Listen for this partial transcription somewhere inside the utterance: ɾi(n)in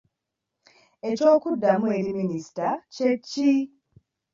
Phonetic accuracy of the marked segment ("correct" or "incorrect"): incorrect